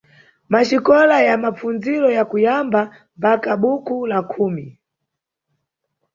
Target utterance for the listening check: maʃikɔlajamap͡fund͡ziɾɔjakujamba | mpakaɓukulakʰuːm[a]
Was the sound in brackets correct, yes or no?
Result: no